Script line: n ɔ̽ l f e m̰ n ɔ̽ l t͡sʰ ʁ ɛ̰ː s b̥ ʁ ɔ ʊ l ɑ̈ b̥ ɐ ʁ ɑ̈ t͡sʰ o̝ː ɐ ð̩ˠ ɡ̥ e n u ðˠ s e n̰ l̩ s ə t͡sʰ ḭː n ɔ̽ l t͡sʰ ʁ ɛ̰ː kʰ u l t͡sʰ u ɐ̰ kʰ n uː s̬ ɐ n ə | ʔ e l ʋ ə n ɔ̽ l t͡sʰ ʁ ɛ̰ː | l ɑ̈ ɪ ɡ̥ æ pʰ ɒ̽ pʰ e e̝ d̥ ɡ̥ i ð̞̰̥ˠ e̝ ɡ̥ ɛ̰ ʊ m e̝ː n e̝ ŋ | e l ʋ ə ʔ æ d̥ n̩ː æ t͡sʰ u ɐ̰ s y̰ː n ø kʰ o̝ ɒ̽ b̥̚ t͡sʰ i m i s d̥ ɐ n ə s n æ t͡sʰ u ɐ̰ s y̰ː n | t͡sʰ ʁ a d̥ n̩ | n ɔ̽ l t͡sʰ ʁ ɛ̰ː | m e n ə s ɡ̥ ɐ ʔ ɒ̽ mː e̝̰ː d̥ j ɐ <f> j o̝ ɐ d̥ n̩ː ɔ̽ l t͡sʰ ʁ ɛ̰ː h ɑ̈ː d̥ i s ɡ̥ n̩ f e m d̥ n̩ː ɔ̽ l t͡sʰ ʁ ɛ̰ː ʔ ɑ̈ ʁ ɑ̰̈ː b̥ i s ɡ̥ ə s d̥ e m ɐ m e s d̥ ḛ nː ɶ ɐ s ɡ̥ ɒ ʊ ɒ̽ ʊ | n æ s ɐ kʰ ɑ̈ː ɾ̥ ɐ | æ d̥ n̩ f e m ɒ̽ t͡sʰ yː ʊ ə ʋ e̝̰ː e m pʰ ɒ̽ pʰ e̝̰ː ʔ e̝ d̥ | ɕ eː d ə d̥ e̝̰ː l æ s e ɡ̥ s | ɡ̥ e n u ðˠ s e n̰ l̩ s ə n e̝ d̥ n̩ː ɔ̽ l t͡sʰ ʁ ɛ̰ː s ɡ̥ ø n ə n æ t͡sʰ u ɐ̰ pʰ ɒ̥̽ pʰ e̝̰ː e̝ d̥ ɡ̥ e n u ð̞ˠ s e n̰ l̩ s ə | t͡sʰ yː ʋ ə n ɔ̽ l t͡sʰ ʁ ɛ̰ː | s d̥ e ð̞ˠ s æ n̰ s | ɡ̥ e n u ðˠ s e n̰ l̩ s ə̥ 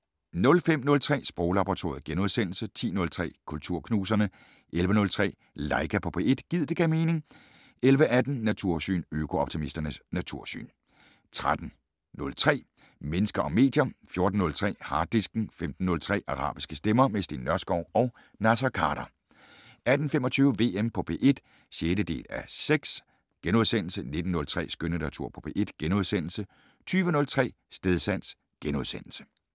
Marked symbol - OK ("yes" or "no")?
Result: yes